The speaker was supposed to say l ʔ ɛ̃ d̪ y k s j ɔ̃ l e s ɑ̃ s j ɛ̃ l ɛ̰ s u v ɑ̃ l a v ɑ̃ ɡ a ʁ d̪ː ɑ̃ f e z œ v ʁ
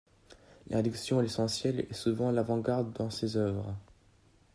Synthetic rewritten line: l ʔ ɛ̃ d̪ y k s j ɔ̃ l e s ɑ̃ s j ɛ l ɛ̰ s u v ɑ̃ l a v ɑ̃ ɡ a ʁ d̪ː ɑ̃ s e z œ v ʁ